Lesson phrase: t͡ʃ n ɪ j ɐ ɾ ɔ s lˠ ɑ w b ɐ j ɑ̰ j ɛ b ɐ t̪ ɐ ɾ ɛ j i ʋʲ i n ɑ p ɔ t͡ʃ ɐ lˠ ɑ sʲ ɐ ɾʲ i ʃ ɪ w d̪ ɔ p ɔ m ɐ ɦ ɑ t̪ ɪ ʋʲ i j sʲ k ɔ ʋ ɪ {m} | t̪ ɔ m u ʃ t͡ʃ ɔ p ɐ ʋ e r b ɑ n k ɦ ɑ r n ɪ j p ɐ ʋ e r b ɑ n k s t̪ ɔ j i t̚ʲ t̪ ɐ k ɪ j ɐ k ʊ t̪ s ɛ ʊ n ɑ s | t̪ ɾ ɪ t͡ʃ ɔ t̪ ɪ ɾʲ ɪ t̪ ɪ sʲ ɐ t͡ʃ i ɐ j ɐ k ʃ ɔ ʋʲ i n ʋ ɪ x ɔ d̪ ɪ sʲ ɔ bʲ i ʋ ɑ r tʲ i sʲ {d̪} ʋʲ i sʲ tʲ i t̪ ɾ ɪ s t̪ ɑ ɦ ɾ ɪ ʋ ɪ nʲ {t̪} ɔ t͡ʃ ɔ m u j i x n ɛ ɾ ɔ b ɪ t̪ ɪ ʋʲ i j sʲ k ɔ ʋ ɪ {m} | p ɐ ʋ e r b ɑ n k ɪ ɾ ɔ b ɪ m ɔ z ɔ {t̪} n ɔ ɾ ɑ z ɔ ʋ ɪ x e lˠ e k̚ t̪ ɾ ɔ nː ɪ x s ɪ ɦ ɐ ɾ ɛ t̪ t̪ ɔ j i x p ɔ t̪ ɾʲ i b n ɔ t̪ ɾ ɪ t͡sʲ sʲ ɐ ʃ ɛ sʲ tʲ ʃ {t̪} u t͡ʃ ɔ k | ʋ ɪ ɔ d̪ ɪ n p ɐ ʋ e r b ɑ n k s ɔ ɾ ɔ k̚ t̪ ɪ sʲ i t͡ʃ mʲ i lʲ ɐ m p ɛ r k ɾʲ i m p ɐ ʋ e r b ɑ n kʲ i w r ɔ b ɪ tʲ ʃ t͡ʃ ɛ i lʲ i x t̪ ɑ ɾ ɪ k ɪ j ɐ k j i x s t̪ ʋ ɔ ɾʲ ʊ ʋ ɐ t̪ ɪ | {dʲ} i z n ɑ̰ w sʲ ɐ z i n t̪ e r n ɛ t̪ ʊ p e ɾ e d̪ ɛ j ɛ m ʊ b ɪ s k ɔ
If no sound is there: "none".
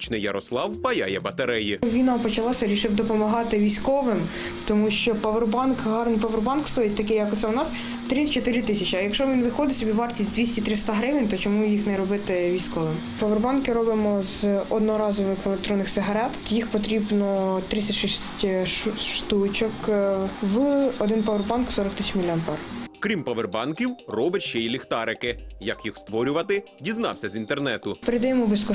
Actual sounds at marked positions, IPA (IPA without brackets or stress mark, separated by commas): m, d̪, t̪, m, d̪, t̪, dʲ